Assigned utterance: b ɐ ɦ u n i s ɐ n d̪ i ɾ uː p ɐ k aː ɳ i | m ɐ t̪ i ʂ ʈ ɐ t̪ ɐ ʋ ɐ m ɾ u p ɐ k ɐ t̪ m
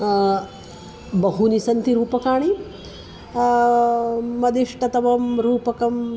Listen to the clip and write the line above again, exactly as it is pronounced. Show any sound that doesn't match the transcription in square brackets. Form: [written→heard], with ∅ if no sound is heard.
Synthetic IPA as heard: b ɐ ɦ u n i s ɐ n [d̪→t̪] i ɾ uː p ɐ k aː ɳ i | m ɐ [t̪→d̪] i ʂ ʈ ɐ t̪ ɐ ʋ ɐ m ɾ [u→uː] p ɐ k ɐ [t̪→∅] m